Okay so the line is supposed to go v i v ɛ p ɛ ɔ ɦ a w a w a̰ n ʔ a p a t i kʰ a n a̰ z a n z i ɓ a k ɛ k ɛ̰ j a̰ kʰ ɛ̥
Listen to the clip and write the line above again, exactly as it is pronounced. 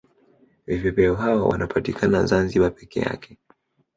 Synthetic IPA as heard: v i v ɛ p ɛ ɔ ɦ a w a w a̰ n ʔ a p a t i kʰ a n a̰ z a n z i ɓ a p ɛ k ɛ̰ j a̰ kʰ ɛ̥